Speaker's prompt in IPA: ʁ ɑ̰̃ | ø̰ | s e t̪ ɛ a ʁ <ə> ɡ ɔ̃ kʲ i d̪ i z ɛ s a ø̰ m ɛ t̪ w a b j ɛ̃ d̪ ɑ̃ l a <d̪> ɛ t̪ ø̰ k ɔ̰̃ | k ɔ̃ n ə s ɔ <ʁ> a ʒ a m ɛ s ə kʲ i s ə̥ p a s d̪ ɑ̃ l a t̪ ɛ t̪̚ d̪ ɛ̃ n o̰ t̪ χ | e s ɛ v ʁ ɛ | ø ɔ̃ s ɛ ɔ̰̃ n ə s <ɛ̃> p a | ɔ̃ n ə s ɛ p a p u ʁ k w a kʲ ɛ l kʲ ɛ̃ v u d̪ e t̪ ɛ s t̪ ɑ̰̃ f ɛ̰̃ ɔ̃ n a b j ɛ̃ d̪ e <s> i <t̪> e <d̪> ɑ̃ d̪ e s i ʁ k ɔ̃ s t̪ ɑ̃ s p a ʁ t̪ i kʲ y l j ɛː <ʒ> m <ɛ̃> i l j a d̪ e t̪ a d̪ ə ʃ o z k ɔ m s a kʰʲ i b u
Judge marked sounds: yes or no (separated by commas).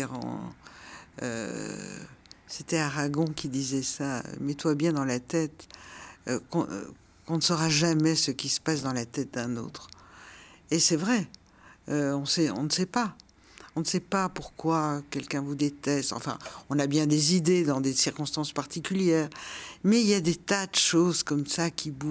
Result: no, no, yes, no, no, no, yes, no, no